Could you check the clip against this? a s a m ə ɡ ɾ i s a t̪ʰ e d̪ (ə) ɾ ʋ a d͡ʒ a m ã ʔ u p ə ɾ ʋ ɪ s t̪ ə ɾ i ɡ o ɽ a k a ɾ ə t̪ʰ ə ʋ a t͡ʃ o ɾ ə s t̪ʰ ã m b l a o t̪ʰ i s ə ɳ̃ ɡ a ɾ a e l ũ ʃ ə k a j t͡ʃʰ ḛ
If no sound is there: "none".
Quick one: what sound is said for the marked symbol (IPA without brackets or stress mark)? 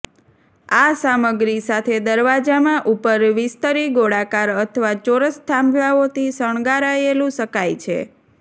ə